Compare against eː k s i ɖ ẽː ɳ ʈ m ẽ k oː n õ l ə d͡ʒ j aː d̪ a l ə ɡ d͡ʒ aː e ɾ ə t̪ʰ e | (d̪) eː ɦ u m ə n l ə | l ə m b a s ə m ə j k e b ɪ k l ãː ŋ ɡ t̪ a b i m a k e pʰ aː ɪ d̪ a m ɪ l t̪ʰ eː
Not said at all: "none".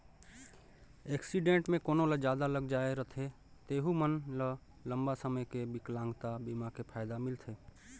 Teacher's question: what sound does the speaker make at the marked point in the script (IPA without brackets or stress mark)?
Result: t̪